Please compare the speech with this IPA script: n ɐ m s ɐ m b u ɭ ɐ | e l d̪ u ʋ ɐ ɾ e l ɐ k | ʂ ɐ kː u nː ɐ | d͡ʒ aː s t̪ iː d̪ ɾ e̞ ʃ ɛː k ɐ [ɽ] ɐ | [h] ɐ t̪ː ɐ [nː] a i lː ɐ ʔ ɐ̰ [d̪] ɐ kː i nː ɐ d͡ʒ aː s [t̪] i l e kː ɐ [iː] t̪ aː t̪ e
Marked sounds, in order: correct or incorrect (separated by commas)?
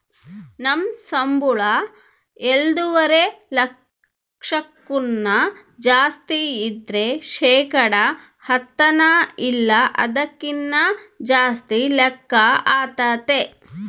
correct, correct, incorrect, correct, correct, incorrect